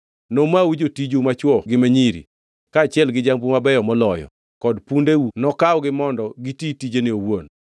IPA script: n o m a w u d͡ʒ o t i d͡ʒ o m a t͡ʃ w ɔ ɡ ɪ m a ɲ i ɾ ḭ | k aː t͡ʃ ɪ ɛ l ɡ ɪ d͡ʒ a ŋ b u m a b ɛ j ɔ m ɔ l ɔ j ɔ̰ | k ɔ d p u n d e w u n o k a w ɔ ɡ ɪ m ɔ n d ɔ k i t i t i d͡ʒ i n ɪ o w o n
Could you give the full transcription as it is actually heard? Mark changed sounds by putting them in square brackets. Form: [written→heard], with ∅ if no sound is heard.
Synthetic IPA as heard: n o m a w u d͡ʒ o t i d͡ʒ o m a t͡ʃ w ɔ ɡ ɪ m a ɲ i ɾ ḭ | k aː t͡ʃ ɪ ɛ l ɡ ɪ d͡ʒ a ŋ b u m a b ɛ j ɔ m ɔ l ɔ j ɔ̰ | k ɔ d p u n d e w u n [o→ɔ] k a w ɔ ɡ ɪ m ɔ n d ɔ [k→ɡ] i t i t i d͡ʒ [i→e] n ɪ o w o n

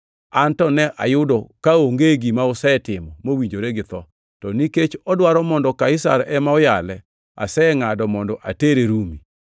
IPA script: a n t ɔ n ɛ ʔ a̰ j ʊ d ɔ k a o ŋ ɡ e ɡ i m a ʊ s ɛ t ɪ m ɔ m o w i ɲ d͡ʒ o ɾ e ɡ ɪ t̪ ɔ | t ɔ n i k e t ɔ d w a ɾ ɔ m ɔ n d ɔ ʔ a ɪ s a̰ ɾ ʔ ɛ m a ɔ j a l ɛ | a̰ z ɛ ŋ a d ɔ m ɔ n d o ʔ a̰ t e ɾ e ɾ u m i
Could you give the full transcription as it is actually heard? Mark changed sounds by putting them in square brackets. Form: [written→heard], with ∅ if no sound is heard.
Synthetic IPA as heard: a n t ɔ n ɛ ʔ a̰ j ʊ d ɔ k a o ŋ ɡ e ɡ i m a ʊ s ɛ t ɪ m ɔ m o w i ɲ d͡ʒ o ɾ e ɡ ɪ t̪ ɔ | t ɔ n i k e [t→t͡ʃ] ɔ d w a ɾ ɔ m ɔ n d ɔ [ʔ→k] a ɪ s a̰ ɾ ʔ ɛ m a ɔ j a l ɛ | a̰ [z→s] ɛ ŋ a d ɔ m ɔ n d [o→ɔ] ʔ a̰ t e ɾ e ɾ u m i

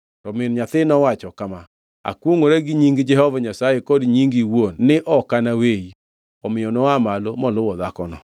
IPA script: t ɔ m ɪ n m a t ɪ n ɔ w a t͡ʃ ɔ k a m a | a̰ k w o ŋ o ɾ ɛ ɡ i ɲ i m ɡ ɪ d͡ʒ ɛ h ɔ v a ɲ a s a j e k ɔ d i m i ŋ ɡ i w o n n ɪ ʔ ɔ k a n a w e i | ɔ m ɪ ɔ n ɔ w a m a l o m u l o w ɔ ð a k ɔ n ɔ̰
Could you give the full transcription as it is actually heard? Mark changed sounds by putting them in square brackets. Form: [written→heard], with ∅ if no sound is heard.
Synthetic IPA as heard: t ɔ m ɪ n [m→ɲ] a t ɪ n ɔ w a t͡ʃ ɔ k a m a | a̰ k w o ŋ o ɾ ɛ ɡ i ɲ i [m→ŋ] ɡ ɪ d͡ʒ ɛ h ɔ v a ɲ a s a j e k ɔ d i [m→ɲ] i ŋ ɡ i w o n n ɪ ʔ ɔ k a n a w e i | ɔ m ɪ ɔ n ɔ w a m a l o m [u→ɔ] l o w ɔ ð a k ɔ n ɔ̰

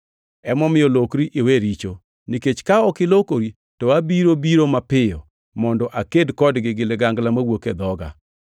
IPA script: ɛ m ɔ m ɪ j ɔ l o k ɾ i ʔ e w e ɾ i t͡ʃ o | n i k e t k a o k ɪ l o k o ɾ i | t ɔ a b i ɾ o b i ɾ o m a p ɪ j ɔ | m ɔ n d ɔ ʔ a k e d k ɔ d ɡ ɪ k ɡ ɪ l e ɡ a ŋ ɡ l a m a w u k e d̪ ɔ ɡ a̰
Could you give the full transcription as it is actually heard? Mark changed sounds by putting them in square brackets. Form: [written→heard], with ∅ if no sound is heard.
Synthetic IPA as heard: ɛ m ɔ m ɪ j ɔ l o k ɾ i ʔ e w e ɾ i t͡ʃ o | n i k e [t→t͡ʃ] k a [o→ɔ] k ɪ l o k o ɾ i | t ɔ a b i ɾ o b i ɾ o m a p ɪ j ɔ | m ɔ n d ɔ ʔ a k e d k ɔ d ɡ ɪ [k→∅] ɡ ɪ l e ɡ a ŋ ɡ l a m a w [u→o] k e d̪ ɔ ɡ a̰

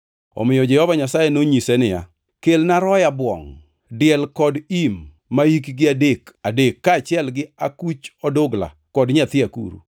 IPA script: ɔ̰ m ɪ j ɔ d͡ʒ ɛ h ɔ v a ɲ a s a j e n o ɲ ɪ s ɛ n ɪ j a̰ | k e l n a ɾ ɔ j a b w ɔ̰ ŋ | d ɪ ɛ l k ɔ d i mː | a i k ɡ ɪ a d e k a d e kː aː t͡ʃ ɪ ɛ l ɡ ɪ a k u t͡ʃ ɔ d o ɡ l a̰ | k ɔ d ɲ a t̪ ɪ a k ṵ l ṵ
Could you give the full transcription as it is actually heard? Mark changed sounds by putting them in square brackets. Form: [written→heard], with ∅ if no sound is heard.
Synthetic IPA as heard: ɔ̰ m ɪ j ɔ d͡ʒ ɛ h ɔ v a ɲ a s a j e n o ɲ [ɪ→i] s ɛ n ɪ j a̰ | k e l n a ɾ ɔ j a b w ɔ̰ ŋ | d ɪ ɛ l k ɔ d i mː | a i k ɡ ɪ a d e k a d e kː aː t͡ʃ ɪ ɛ l ɡ ɪ a k u t͡ʃ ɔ d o ɡ l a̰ | k ɔ d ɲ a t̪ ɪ a k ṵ [l→ɾ] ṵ

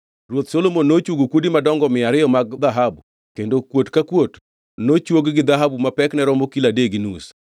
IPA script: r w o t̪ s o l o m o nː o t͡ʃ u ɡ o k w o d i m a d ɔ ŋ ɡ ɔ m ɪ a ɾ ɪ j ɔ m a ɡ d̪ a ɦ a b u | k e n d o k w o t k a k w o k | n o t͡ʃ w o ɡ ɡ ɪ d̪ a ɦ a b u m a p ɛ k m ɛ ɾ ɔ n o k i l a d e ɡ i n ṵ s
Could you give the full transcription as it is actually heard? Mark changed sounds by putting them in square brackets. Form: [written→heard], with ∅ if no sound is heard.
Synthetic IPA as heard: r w o t̪ s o l o m o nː o t͡ʃ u ɡ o k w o d i m a d ɔ ŋ ɡ ɔ m ɪ a ɾ ɪ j ɔ m a ɡ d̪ a ɦ a b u | k e n d o k w o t k a k w o [k→t] | n o t͡ʃ w o ɡ ɡ ɪ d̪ a ɦ a b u m a p ɛ k [m→n] ɛ ɾ ɔ [n→m] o k i l a d e ɡ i n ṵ s

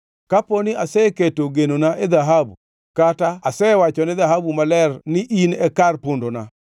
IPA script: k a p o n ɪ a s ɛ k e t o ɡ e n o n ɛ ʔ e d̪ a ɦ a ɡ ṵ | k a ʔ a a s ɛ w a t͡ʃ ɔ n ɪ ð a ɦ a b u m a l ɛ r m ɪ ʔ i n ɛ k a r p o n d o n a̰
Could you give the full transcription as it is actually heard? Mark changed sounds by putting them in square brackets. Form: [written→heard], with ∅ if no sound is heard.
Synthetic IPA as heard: k a p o n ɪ a s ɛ k e t o ɡ e n o n [ɛ→a] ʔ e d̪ a ɦ a [ɡ→b] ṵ | k a [ʔ→t] a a s ɛ w a t͡ʃ ɔ n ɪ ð a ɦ a b u m a l ɛ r [m→n] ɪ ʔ i n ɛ k a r p o n d o n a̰

